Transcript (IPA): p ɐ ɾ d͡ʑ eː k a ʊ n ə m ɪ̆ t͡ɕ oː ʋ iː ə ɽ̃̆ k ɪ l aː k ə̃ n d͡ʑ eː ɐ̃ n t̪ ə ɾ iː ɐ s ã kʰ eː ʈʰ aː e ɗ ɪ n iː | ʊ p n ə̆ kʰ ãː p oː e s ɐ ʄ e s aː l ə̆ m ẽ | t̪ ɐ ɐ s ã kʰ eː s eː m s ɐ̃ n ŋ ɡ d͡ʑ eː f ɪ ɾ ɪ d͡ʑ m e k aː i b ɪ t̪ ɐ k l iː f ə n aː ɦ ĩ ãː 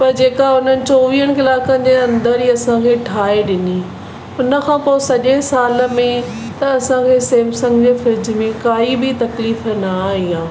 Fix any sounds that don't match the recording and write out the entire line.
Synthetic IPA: p ɐ ɾ d͡ʑ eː k a ʊ n ə n ɪ̆ t͡ɕ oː ʋ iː ə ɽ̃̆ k ɪ l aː k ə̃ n d͡ʑ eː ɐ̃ n d̪ ə ɾ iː ɐ s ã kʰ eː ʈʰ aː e ɗ ɪ n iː | ʊ n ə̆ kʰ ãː p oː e s ɐ ʄ e s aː l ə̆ m ẽ | t̪ ɐ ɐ s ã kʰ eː s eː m s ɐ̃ ŋ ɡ d͡ʑ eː f ɪ ɾ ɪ d͡ʑ m ẽ k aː i b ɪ t̪ ɐ k l iː f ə n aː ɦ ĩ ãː